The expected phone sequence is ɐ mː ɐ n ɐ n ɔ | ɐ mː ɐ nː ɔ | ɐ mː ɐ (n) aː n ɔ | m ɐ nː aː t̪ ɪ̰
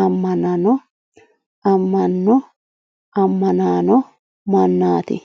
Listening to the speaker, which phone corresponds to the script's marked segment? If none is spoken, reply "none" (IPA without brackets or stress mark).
n